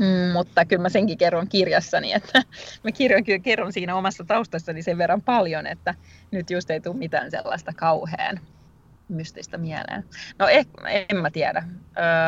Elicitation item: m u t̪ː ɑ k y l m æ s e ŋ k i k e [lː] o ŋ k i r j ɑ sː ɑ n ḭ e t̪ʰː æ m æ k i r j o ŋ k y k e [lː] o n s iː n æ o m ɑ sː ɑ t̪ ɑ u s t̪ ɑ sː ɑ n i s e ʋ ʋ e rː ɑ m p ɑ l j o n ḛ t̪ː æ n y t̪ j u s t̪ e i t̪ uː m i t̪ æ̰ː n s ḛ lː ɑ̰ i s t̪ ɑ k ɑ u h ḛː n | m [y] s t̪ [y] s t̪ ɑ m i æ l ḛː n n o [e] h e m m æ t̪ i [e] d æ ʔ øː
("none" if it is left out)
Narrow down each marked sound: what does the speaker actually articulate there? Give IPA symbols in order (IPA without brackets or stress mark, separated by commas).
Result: rː, rː, y, i, e, æ